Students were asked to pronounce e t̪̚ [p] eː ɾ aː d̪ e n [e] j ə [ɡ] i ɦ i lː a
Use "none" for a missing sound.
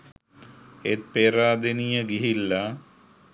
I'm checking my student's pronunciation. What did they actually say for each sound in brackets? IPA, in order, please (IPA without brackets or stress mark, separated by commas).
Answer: p, i, ɡ